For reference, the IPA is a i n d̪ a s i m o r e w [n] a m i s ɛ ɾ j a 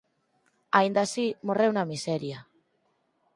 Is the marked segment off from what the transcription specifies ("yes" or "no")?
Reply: no